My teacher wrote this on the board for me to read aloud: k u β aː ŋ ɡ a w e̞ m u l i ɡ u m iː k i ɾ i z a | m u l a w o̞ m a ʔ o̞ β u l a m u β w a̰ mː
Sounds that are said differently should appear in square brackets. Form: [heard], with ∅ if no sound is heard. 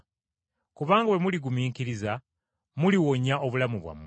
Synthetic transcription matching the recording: k u β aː ŋ ɡ a w e̞ m u l i ɡ u m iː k i ɾ i z a | m u l [i] w o̞ [ɲ] a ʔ o̞ β u l a m u β w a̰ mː